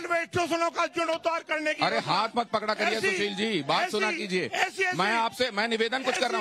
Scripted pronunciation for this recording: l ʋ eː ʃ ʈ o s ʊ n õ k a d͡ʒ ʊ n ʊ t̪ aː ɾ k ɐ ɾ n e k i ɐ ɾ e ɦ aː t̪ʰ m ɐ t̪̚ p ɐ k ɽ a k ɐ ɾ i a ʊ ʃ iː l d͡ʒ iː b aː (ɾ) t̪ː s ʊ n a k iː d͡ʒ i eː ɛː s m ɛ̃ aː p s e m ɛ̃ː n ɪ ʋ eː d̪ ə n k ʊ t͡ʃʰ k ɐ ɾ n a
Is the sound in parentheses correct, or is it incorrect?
incorrect